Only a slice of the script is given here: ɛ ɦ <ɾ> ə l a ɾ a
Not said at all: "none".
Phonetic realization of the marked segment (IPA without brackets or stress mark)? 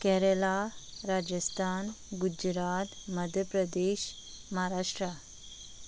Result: ɾ